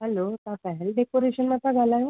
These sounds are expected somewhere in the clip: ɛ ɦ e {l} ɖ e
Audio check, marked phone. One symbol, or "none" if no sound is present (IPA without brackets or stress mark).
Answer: l